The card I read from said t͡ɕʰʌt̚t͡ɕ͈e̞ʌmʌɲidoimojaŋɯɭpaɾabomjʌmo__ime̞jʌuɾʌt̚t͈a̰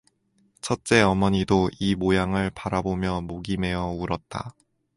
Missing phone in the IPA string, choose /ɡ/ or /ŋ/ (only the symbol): ɡ